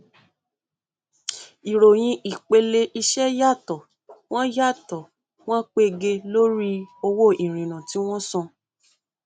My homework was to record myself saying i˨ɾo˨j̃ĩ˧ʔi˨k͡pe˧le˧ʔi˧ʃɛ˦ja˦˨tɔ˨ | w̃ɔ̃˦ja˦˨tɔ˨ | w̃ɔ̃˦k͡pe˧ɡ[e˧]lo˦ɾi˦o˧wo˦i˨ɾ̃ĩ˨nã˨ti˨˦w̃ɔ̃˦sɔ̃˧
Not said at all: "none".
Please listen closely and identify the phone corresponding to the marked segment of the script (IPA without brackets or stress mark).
e˧